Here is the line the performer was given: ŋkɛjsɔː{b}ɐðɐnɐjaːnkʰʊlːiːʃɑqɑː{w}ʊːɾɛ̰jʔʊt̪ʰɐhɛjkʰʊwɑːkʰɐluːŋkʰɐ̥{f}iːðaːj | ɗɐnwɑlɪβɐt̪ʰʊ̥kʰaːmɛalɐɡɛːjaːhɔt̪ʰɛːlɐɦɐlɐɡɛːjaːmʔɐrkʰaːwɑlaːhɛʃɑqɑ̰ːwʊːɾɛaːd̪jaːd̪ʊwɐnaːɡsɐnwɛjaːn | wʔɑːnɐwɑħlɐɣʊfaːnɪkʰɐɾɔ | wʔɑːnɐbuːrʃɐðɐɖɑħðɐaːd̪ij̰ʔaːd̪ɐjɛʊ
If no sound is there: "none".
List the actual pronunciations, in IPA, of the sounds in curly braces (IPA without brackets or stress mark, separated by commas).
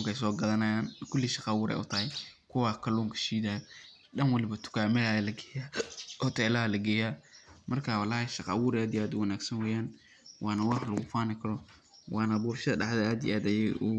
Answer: ɡ, w, ʃ